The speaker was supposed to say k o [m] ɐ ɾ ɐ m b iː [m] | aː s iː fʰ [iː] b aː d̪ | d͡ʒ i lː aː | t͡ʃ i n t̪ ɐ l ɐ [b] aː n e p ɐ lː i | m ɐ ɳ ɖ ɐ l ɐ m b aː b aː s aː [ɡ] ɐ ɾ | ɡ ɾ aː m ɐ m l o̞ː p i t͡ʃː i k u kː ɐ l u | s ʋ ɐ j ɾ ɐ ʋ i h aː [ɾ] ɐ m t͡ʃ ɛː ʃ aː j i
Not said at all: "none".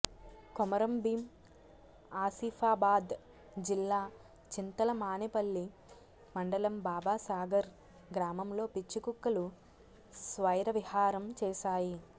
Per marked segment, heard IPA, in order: m, m, aː, m, ɡ, ɾ

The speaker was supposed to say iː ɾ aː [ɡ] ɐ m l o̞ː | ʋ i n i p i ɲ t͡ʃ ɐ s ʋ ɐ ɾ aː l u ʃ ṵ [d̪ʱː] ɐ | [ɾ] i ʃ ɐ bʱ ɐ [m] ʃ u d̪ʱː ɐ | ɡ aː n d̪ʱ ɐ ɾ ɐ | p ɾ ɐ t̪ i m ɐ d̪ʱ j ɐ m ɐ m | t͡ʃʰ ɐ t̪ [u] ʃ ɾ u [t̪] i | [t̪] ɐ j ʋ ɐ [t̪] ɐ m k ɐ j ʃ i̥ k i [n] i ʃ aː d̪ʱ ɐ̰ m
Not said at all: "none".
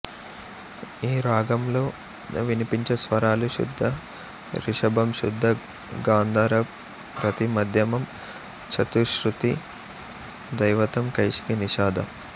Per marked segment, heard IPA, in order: ɡ, d̪ʱː, ɾ, m, u, t̪, d̪, t̪, n

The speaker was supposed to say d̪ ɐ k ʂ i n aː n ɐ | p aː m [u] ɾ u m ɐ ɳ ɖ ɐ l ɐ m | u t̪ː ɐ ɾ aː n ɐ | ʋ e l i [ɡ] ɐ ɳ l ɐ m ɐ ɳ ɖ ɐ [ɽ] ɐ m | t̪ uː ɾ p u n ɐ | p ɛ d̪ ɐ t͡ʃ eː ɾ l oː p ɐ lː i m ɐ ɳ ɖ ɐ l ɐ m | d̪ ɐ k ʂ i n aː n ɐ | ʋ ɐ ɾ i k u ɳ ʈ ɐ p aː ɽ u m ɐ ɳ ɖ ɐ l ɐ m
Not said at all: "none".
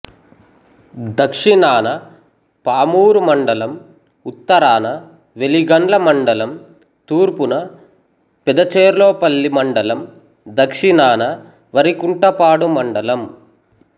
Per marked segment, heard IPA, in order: uː, ɡ, l

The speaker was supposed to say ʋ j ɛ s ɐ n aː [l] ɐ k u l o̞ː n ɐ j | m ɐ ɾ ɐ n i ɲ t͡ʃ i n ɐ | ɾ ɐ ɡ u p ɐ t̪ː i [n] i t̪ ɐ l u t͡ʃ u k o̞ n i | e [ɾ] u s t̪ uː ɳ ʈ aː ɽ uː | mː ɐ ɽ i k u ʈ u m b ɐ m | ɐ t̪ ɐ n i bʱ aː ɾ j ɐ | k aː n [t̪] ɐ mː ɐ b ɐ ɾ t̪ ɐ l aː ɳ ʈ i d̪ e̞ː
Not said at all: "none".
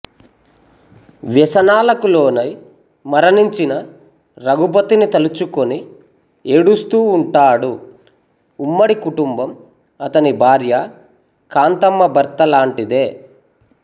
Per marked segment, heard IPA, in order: l, n, ɽ, t̪

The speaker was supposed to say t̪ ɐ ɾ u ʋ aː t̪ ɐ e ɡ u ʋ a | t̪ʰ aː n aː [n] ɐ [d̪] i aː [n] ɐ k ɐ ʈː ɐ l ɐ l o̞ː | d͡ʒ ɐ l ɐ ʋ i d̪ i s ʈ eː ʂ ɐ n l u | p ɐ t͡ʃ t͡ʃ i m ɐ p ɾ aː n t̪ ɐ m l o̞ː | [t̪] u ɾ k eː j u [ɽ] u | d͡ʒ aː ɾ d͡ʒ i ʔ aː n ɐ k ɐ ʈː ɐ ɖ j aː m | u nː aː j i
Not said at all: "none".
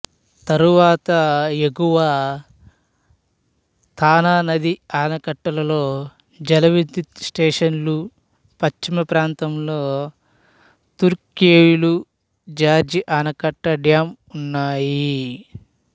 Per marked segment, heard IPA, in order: n, d̪, n, t̪, l

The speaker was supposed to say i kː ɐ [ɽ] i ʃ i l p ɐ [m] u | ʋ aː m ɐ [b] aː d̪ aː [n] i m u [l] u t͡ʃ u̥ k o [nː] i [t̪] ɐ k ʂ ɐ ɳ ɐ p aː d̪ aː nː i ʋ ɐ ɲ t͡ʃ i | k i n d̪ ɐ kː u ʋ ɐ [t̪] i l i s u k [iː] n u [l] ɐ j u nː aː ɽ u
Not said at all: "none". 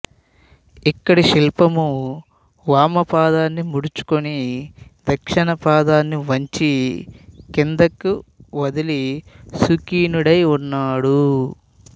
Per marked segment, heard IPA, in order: ɽ, m, p, nː, ɽ, n, d̪, d̪, iː, ɽ

